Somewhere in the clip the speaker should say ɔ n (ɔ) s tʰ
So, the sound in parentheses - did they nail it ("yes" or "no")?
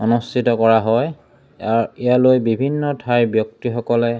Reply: no